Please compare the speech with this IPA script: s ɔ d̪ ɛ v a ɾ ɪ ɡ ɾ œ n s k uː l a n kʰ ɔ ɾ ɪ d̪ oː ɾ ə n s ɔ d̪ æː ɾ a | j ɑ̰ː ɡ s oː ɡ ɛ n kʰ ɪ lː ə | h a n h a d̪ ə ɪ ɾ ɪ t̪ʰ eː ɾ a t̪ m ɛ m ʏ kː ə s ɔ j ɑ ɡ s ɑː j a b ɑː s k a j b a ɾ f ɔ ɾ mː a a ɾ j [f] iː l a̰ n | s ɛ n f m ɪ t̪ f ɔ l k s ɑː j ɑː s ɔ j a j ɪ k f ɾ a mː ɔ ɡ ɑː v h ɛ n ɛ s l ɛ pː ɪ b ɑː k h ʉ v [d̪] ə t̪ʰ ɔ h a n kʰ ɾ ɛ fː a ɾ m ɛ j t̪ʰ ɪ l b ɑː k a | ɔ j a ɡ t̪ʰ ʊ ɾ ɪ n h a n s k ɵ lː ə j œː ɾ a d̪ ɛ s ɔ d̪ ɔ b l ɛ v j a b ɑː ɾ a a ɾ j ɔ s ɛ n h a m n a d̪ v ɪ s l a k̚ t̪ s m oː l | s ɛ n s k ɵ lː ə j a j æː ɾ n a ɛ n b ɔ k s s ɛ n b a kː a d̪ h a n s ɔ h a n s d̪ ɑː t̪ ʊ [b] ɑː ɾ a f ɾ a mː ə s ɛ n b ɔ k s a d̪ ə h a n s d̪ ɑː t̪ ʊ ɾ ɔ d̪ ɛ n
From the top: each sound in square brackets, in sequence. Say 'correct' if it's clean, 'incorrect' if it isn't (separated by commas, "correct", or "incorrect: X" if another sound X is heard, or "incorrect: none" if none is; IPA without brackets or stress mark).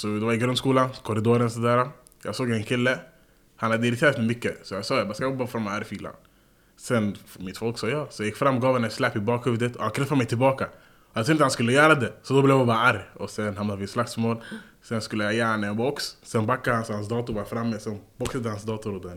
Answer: correct, correct, correct